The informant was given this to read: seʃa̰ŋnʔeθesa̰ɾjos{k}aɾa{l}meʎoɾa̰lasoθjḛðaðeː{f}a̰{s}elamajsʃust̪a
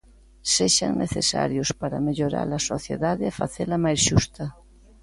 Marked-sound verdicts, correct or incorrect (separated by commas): incorrect, incorrect, correct, incorrect